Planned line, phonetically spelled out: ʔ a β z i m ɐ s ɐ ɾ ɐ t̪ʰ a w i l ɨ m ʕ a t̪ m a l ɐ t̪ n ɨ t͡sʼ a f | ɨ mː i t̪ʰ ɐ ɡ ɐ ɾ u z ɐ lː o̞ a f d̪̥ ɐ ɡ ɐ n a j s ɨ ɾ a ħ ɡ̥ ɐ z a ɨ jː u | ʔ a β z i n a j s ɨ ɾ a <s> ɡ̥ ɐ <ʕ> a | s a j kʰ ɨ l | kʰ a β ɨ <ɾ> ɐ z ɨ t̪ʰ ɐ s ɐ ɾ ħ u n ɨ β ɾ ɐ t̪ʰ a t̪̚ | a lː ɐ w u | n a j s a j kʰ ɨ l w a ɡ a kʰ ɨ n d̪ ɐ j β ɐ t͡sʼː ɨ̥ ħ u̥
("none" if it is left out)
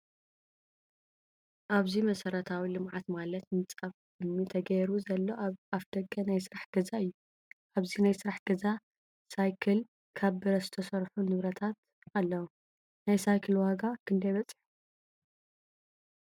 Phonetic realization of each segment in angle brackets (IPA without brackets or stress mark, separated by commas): ħ, z, ɾ